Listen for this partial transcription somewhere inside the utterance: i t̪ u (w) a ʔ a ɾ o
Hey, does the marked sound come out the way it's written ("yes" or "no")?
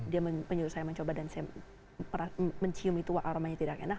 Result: yes